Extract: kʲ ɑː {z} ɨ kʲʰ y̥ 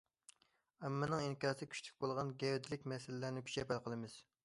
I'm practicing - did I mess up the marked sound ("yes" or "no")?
yes